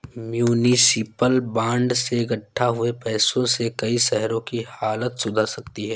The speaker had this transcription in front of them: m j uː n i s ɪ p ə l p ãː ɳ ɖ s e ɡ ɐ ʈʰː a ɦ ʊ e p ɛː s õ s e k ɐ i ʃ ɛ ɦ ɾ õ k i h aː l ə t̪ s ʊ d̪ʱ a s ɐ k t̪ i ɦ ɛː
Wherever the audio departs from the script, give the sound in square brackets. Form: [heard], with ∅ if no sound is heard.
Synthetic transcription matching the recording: m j uː n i s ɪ p ə l [b] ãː ɳ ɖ s e ɡ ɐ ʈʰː a ɦ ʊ e p ɛː s õ s e k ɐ i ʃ ɛ ɦ ɾ õ k i h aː l ə t̪ s ʊ d̪ʱ a s ɐ k t̪ i ɦ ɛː